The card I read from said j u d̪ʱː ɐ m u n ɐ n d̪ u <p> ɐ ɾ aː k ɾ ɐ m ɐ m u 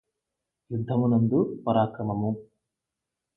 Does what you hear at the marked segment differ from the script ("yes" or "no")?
no